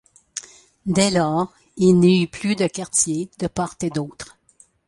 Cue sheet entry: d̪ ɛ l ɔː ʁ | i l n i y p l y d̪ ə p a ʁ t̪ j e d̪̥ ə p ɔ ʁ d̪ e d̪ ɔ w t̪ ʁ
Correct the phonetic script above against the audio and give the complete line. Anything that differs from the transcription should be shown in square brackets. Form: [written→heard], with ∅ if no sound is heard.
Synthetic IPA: d̪ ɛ l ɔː ʁ | i l n i y p l y d̪ ə [p→k] a ʁ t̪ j e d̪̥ ə p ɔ ʁ [d̪→t̪] e d̪ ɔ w t̪ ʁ